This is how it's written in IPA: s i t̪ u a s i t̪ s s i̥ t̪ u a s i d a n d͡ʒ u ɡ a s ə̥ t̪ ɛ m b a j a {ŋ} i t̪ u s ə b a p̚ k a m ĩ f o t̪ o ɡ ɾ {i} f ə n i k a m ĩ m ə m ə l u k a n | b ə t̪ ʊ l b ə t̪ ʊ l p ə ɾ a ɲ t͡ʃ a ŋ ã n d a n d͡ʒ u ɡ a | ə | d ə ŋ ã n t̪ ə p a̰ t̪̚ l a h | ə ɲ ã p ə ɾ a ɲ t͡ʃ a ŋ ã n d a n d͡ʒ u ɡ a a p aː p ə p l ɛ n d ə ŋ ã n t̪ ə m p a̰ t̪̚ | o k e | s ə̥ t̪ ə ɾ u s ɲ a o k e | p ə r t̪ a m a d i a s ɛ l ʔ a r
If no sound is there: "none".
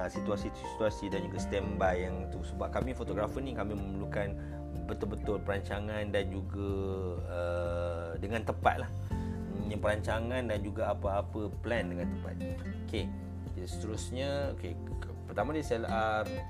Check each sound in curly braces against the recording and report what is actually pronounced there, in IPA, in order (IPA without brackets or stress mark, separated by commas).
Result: ŋ, a